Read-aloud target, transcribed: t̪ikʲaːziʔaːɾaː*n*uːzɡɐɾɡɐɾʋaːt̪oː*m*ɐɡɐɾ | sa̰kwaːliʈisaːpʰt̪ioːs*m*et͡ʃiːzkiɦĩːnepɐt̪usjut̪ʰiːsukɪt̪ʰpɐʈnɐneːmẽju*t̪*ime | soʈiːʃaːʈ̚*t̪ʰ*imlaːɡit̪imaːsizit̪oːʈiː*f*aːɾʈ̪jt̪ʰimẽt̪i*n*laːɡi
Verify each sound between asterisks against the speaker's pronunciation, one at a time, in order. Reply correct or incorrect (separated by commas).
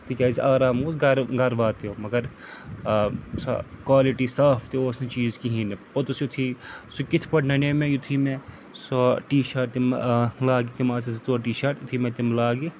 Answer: incorrect, correct, incorrect, incorrect, incorrect, incorrect, incorrect